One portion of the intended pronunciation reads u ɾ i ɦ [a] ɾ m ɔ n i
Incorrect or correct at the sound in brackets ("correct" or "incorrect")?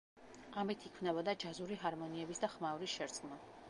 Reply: correct